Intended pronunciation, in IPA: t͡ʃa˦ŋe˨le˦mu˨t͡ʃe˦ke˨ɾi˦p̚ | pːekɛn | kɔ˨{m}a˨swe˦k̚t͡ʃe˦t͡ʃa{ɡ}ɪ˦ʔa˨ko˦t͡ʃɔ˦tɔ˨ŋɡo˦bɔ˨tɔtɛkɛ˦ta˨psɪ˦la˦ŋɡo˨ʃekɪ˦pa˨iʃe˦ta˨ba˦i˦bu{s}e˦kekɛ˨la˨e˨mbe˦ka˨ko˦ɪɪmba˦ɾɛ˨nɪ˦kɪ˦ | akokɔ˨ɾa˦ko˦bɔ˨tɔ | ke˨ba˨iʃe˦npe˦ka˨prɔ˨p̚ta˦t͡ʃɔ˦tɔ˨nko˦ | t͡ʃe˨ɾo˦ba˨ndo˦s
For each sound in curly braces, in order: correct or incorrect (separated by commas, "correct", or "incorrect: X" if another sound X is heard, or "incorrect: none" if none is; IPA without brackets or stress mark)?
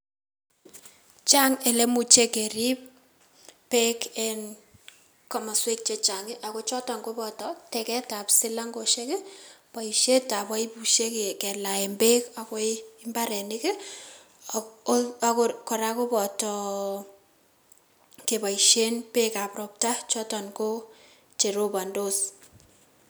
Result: correct, incorrect: ŋ, incorrect: ʃ